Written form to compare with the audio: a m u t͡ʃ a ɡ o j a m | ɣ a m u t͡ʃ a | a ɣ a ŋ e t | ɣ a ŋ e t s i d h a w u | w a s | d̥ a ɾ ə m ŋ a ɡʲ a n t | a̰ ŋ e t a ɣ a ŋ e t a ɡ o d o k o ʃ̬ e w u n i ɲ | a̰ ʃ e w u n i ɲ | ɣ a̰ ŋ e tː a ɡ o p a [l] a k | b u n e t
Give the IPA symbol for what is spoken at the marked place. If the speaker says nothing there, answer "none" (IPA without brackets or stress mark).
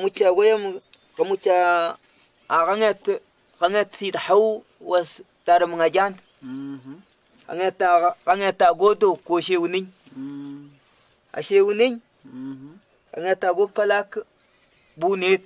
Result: l